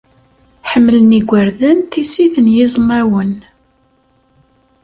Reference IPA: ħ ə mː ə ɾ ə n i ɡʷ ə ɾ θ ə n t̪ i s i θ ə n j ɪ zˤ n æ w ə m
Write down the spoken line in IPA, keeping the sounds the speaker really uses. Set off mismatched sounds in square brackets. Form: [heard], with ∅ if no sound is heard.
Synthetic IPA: ħ ə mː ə [l] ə n i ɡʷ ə ɾ [ð] ə n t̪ i s i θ ə n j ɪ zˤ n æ w ə [n]